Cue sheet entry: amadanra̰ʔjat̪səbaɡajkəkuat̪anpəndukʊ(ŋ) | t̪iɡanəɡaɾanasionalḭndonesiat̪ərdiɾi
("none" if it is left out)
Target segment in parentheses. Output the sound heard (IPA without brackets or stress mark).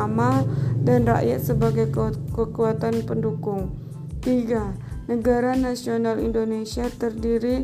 ŋ